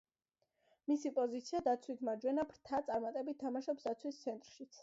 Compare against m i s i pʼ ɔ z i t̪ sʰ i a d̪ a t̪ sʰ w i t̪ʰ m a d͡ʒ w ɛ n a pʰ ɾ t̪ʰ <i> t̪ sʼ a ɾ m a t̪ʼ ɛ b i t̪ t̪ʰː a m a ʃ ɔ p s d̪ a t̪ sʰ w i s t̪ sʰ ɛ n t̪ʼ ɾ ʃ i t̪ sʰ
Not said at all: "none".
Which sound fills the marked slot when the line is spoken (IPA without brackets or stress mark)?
a